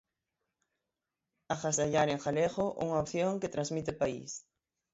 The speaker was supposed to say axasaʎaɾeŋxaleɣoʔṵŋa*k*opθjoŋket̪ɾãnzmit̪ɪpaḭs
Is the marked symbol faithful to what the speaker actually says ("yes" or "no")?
no